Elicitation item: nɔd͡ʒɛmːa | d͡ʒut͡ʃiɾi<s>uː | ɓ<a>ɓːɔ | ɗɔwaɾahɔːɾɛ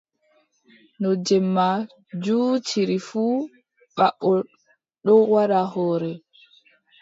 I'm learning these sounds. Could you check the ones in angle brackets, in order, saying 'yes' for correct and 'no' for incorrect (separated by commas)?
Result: no, yes